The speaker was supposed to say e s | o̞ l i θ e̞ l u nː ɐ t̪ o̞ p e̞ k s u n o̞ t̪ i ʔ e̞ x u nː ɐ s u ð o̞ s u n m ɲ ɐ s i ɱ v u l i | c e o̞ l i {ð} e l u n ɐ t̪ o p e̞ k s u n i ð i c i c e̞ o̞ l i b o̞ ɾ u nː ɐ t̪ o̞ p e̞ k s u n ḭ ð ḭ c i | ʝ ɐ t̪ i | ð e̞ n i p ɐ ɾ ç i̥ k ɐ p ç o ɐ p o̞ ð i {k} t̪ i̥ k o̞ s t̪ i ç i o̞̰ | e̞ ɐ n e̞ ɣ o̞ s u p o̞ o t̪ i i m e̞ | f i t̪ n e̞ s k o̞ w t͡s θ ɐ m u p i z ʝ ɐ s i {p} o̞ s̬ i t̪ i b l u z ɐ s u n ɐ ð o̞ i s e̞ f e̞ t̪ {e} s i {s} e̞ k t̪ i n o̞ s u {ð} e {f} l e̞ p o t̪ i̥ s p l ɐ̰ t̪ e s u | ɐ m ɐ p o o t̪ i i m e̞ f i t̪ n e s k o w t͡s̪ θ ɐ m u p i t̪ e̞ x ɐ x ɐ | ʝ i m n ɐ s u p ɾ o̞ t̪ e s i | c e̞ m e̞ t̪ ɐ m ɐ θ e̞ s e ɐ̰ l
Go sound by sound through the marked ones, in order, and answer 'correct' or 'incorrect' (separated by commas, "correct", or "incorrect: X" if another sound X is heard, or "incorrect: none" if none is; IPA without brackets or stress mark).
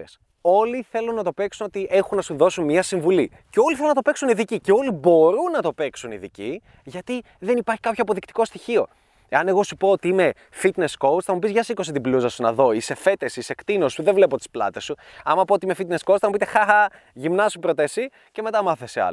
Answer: incorrect: θ, correct, incorrect: k, correct, correct, correct, incorrect: v